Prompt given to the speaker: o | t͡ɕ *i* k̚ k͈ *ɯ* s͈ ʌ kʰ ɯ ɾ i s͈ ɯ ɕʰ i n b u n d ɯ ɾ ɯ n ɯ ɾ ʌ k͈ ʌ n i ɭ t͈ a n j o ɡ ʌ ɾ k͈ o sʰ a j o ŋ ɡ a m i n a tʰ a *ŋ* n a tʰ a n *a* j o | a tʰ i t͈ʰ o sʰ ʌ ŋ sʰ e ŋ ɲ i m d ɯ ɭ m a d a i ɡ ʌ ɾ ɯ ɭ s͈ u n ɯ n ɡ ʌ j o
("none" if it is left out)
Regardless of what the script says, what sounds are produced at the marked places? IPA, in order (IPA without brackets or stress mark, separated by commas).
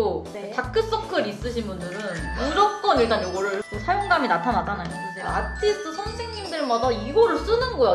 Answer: a, ɯ, none, a